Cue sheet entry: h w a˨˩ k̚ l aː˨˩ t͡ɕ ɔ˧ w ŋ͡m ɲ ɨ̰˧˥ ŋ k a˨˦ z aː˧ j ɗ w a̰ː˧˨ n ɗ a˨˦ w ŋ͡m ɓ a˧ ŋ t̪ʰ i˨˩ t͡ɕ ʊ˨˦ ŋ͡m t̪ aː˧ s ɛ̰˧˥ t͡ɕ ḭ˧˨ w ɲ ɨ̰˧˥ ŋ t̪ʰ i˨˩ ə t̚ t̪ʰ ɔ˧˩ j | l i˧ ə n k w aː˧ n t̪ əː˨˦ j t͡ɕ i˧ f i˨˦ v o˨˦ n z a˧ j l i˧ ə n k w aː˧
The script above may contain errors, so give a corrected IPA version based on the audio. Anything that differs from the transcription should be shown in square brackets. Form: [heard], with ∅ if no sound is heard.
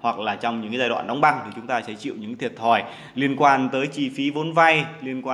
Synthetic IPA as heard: h w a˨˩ k̚ l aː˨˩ t͡ɕ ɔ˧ w ŋ͡m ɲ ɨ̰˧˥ ŋ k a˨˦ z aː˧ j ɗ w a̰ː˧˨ n ɗ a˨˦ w ŋ͡m ɓ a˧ ŋ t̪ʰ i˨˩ t͡ɕ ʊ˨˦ ŋ͡m t̪ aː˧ s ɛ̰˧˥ t͡ɕ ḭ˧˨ w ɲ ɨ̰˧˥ ŋ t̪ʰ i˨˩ ə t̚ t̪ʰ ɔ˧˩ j | l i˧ ə n k w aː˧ n t̪ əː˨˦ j t͡ɕ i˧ f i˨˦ v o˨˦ n [v] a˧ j l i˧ ə n k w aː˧